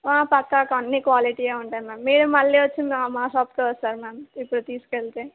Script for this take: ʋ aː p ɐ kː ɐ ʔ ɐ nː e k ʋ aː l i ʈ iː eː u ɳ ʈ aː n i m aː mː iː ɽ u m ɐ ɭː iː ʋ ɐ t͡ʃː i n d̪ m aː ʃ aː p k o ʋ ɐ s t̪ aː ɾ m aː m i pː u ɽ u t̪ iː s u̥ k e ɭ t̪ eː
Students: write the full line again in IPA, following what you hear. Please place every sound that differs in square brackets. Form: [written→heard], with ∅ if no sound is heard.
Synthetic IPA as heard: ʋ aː p ɐ kː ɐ [ʔ→k] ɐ nː [e→i] k ʋ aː l i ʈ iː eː u ɳ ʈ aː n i m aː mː iː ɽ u m ɐ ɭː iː ʋ ɐ t͡ʃː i n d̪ m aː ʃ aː p k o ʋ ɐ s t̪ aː ɾ m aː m i pː u ɽ u t̪ iː s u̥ k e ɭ t̪ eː

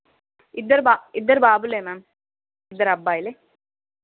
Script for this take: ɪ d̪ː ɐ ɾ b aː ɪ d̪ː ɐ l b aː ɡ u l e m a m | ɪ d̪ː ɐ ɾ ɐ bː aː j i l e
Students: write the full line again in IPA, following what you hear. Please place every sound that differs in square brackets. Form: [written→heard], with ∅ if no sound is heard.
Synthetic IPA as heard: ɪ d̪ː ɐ ɾ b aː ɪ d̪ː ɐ [l→ɾ] b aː [ɡ→b] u l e m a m | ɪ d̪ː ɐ ɾ ɐ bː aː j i l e

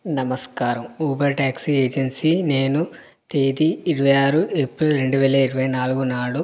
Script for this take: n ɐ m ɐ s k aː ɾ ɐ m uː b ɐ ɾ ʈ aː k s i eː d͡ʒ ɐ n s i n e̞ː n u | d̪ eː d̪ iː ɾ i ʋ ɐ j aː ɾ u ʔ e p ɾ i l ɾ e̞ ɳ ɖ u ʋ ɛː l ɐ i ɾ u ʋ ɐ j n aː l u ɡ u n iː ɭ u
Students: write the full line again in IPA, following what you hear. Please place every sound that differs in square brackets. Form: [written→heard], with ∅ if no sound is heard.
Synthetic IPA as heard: n ɐ m ɐ s k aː ɾ ɐ m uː b ɐ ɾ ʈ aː k s i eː d͡ʒ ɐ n s i n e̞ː n u | [d̪→t̪] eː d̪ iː ɾ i ʋ ɐ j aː ɾ u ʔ e p ɾ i l ɾ e̞ ɳ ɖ u ʋ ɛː l ɐ i ɾ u ʋ ɐ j n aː l u ɡ u n [iː→aː] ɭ u

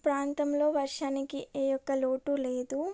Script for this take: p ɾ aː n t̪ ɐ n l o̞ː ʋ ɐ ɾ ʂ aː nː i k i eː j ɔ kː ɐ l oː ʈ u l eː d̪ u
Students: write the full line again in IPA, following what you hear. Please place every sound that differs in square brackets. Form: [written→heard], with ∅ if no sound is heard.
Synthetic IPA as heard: p ɾ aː n t̪ ɐ [n→m] l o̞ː ʋ ɐ ɾ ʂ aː [nː→n] i k i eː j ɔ kː ɐ l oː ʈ u l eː d̪ u

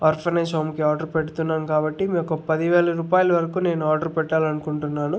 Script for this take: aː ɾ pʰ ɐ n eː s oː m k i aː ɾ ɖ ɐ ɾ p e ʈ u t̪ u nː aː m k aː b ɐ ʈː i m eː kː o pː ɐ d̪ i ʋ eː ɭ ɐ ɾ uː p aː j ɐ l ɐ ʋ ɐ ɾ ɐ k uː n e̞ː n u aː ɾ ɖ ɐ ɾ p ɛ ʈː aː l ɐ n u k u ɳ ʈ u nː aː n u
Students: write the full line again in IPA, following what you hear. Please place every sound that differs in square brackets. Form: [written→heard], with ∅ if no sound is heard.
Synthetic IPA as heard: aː ɾ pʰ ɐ n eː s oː m k i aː ɾ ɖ ɐ ɾ p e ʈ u t̪ u nː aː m k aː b ɐ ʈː i m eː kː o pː ɐ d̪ i ʋ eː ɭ ɐ ɾ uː p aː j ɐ l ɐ ʋ ɐ ɾ ɐ k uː n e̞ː n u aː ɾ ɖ ɐ ɾ p ɛ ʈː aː l ɐ n u k u ɳ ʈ u nː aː n u

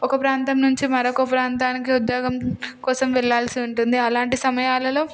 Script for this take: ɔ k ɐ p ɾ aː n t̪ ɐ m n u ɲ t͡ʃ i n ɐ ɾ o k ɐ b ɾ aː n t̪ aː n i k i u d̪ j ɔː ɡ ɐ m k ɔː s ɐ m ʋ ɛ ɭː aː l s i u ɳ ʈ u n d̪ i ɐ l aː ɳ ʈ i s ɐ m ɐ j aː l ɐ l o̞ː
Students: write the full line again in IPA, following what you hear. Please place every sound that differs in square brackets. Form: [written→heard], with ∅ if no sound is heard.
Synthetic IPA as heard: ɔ k ɐ p ɾ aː n t̪ ɐ m n u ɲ t͡ʃ i [n→m] ɐ ɾ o k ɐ [b→p] ɾ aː n t̪ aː n i k i u d̪ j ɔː ɡ ɐ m k ɔː s ɐ m ʋ ɛ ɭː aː l s i u ɳ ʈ u n d̪ i ɐ l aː ɳ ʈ i s ɐ m ɐ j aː l ɐ l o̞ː

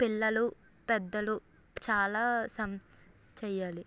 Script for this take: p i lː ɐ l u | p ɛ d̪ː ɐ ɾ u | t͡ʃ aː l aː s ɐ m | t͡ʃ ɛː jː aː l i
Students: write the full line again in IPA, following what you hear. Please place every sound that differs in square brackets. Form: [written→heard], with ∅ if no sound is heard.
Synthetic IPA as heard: p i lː ɐ l u | p ɛ d̪ː ɐ [ɾ→l] u | t͡ʃ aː l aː s ɐ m | t͡ʃ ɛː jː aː l i

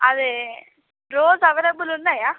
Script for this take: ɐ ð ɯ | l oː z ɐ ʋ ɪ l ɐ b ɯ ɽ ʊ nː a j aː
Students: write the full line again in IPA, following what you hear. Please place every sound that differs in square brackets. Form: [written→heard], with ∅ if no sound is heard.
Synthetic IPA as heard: ɐ ð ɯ | [l→ɾ] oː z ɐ ʋ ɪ [l→ɾ] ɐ b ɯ [ɽ→l] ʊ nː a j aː

